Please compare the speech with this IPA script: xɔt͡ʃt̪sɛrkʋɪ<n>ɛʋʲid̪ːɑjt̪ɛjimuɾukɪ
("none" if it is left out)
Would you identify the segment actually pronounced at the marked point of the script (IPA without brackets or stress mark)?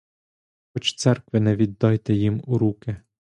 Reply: n